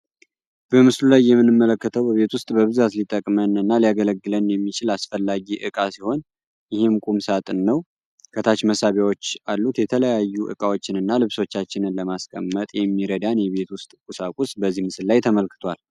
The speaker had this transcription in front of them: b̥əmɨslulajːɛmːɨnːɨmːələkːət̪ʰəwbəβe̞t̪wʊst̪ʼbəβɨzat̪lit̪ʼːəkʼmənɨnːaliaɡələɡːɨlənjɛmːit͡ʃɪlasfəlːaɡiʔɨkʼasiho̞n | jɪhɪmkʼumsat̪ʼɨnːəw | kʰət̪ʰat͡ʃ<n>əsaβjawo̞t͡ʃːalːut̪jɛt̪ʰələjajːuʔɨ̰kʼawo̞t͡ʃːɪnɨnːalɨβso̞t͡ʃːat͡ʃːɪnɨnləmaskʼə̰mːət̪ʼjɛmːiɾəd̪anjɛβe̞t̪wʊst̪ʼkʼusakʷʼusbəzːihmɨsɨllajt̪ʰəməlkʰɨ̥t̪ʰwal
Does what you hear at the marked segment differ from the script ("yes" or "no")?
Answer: yes